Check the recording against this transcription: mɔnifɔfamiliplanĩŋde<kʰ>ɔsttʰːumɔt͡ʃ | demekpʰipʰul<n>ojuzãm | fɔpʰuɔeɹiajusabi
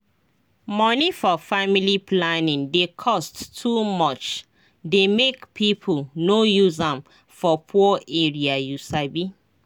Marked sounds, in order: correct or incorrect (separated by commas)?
correct, correct